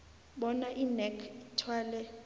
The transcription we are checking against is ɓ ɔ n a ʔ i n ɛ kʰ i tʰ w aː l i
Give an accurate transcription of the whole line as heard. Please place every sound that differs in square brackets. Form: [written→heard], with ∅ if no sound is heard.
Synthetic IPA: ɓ ɔ n a ʔ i n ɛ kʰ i tʰ w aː l [i→ɛ]